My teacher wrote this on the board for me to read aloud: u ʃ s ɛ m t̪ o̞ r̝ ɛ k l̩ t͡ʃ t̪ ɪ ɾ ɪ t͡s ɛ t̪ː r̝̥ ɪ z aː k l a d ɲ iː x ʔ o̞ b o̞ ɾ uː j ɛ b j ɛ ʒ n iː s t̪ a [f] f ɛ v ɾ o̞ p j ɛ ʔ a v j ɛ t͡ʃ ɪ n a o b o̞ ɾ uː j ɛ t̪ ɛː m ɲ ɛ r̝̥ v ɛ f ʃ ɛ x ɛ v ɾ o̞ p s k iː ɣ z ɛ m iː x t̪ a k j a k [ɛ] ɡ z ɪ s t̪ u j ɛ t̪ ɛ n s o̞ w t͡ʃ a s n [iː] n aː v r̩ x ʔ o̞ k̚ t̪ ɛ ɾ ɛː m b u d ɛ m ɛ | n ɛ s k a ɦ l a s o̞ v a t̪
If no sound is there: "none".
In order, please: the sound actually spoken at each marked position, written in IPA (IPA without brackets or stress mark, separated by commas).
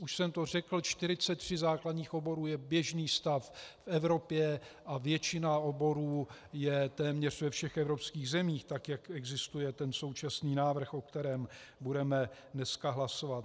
f, ɛ, iː